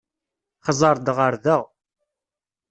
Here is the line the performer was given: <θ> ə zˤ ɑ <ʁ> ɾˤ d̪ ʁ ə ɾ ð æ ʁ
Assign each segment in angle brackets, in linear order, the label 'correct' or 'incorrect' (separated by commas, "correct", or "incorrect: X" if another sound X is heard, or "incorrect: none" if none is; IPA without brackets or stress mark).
incorrect: χ, incorrect: none